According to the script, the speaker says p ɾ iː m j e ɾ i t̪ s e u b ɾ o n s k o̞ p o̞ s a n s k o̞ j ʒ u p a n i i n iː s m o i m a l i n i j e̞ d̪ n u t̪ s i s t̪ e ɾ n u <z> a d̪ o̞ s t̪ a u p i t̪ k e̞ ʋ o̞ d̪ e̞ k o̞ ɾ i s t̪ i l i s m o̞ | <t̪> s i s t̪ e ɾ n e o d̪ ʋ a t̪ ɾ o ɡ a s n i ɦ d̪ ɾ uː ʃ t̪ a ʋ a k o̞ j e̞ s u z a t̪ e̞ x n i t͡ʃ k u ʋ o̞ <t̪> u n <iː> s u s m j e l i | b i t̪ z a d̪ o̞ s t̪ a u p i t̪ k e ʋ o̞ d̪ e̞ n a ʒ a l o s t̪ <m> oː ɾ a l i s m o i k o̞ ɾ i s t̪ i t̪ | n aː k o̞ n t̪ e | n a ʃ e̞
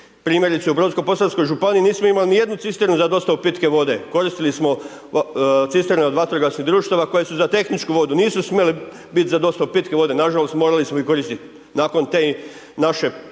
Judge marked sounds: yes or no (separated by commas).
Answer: yes, yes, no, yes, yes